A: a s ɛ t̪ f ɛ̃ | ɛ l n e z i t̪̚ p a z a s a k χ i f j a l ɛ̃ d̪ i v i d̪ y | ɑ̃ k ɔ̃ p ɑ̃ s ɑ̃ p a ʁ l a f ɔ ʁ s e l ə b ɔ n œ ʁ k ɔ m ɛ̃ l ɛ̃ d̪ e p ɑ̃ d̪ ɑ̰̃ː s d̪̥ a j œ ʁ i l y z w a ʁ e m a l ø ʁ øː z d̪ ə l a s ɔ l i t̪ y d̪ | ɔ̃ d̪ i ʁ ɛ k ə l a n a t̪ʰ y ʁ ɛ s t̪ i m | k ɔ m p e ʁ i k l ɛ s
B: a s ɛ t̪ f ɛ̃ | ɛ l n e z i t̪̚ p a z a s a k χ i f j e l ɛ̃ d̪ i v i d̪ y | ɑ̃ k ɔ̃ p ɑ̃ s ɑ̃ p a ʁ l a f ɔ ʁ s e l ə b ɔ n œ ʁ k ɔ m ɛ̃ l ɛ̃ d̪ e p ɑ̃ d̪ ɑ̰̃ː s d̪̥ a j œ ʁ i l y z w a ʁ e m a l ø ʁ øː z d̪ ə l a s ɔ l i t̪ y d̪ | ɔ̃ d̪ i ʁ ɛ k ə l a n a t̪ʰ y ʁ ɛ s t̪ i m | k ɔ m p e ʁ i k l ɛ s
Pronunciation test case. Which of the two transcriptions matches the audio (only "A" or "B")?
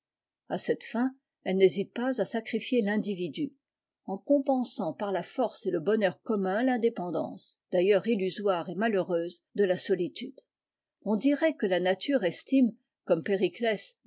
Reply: B